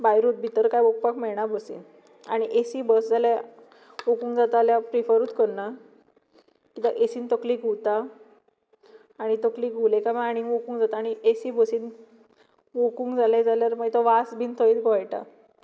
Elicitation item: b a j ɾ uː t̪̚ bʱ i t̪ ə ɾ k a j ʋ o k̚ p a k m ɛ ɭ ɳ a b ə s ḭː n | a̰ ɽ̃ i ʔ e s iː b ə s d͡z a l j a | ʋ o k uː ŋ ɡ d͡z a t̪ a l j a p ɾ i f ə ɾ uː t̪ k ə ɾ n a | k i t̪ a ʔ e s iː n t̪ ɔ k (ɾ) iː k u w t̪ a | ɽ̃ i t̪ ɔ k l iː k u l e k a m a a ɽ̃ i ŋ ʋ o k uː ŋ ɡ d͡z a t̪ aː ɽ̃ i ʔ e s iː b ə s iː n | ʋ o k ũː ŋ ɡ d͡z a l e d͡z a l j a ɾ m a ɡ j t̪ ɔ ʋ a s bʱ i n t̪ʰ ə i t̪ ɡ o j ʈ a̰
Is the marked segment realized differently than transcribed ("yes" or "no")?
yes